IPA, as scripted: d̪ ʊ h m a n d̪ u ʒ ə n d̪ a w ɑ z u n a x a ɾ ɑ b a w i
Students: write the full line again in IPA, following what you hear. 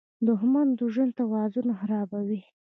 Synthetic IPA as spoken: d̪ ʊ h m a n d̪ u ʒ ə n t̪ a w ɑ z u n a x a ɾ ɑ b a w i